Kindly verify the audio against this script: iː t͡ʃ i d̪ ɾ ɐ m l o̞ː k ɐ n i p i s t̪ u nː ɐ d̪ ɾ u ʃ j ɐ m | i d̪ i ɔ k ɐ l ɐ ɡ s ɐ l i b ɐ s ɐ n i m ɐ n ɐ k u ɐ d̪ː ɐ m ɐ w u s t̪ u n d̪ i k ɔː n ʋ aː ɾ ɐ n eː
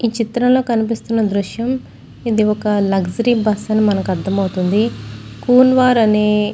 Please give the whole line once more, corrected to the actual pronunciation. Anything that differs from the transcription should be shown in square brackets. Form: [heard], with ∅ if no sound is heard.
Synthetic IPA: iː t͡ʃ i [t̪] ɾ ɐ m l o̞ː k ɐ n i p i s t̪ u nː ɐ d̪ ɾ u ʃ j ɐ m | i d̪ i ɔ k ɐ l ɐ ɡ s ɐ [ɾ] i b ɐ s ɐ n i m ɐ n ɐ k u ɐ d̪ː ɐ m ɐ w u [∅] t̪ u n d̪ i k [uː] n ʋ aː ɾ ɐ n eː